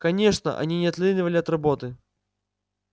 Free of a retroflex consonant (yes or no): no